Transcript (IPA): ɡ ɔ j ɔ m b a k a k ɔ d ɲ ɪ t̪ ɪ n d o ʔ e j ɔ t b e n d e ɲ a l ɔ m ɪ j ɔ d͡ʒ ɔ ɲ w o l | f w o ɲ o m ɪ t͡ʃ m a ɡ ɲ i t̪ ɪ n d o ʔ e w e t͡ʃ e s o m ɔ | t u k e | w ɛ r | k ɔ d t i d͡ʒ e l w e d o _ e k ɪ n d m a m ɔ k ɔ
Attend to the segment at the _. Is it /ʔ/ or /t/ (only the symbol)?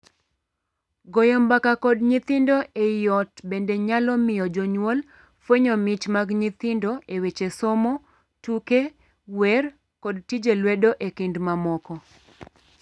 ʔ